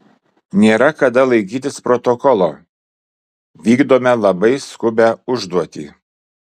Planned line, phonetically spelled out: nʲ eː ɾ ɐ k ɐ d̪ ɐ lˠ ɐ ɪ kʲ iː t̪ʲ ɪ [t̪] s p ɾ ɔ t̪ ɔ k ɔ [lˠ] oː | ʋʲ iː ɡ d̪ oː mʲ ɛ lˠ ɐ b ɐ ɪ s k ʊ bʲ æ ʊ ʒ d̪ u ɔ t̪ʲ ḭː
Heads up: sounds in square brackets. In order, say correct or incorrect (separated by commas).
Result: incorrect, correct